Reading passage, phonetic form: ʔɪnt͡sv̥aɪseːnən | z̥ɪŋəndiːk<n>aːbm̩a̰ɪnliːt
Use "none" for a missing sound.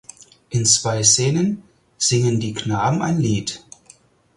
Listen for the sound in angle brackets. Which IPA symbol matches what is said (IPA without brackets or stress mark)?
n